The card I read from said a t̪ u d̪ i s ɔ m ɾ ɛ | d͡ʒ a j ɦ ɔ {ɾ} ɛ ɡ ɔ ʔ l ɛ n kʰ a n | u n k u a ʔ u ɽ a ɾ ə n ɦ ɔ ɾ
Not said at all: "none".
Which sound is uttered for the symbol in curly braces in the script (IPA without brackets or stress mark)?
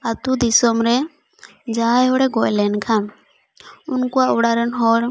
ɽ